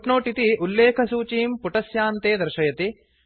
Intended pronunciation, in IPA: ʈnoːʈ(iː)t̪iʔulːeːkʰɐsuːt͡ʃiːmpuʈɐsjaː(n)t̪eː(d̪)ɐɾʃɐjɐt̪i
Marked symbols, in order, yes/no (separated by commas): no, yes, yes